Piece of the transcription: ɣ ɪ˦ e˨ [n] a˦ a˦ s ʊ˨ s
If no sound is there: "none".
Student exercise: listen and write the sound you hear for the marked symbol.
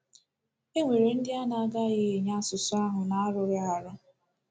ɲ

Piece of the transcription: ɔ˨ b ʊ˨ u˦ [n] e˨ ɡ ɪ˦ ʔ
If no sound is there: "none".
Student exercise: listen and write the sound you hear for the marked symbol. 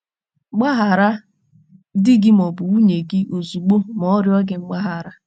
ɲ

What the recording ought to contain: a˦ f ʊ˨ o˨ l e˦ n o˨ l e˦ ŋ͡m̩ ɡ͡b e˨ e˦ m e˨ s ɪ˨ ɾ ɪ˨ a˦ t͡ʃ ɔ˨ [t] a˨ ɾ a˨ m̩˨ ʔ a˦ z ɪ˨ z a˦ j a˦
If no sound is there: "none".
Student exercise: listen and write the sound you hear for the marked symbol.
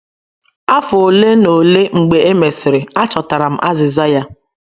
t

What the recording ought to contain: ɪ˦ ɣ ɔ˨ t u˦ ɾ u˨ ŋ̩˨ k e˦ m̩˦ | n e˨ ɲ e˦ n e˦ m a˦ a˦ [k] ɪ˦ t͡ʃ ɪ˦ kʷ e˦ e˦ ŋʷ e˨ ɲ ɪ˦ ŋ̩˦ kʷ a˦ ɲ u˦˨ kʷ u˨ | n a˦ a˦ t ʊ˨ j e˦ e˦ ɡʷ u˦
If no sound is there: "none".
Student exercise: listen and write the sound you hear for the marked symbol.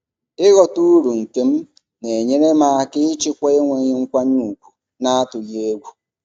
k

